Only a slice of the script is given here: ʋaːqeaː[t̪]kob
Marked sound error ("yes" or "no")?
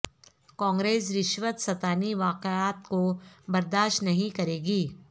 no